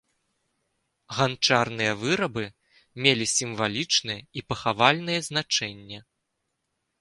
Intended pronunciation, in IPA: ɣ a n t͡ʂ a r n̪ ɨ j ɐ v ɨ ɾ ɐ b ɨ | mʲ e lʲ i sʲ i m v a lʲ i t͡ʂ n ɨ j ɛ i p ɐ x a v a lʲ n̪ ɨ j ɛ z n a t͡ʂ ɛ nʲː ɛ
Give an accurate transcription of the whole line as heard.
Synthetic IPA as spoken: ɣ a n t͡ʂ a r n̪ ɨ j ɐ v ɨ ɾ ɐ b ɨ | mʲ e lʲ i sʲ i m v a lʲ i t͡ʂ n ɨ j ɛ i p ɐ x a v a lʲ n̪ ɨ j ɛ z n a t͡ʂ ɛ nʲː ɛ